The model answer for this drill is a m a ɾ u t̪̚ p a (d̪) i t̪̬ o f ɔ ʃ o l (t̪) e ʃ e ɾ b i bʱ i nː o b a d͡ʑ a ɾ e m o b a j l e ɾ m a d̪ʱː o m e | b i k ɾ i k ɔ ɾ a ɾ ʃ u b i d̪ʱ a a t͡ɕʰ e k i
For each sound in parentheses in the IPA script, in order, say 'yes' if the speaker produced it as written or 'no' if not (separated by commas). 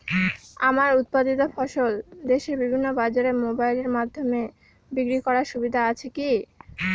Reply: yes, no